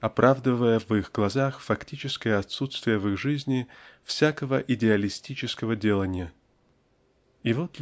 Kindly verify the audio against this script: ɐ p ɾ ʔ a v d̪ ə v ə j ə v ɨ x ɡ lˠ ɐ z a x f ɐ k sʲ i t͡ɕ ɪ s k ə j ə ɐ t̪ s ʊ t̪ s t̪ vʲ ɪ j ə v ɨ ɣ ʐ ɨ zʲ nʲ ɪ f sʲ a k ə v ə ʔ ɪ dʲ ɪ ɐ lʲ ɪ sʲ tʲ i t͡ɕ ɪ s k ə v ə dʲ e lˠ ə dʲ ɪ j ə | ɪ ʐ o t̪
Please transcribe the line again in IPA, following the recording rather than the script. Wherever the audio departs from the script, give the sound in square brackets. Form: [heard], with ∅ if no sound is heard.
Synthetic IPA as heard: ɐ p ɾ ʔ a v d̪ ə v ə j ə v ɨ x ɡ lˠ ɐ z a x f ɐ k [tʲ] i t͡ɕ ɪ s k ə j ə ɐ t̪ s [u] t̪ s t̪ vʲ ɪ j ə v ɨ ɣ ʐ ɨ zʲ nʲ ɪ f sʲ a k ə v ə ʔ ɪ dʲ ɪ ɐ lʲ ɪ sʲ tʲ i t͡ɕ ɪ s k ə v ə dʲ e lˠ ə [nʲ] ɪ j ə | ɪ [v] o t̪